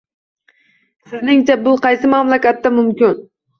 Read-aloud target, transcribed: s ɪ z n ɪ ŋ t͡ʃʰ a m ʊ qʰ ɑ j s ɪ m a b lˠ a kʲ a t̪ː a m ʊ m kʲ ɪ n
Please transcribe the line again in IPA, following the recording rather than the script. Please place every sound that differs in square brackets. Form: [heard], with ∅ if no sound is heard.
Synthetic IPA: s ɪ z n ɪ ŋ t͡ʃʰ a [b] ʊ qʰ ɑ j s ɪ m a [m] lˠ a kʲ a t̪ː a m ʊ m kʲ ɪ n